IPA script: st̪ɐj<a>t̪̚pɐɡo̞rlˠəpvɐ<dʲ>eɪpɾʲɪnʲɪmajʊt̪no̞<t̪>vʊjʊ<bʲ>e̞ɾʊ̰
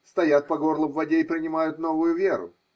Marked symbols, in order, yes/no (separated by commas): yes, yes, no, no